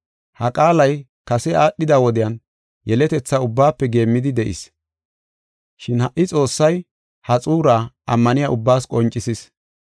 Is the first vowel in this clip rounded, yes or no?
no